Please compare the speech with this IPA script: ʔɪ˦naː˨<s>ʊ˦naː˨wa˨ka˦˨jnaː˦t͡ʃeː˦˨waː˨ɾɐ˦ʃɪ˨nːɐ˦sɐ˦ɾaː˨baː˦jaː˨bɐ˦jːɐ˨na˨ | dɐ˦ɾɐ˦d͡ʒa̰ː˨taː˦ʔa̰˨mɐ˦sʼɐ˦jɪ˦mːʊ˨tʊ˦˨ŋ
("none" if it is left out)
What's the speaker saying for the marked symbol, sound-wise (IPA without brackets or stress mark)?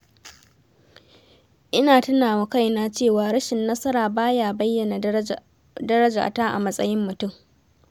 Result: t